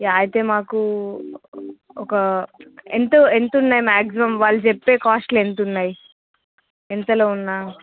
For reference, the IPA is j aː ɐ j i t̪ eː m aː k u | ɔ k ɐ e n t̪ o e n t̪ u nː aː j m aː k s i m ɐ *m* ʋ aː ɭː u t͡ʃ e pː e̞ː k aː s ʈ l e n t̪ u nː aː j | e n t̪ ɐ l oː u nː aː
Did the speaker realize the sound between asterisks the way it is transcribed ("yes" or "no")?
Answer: yes